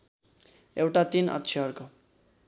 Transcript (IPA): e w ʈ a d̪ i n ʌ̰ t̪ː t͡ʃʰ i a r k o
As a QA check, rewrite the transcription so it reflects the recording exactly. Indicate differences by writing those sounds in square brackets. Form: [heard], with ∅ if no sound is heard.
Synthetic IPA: e w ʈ a [t̪] i n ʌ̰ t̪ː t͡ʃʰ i [ʌ] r k o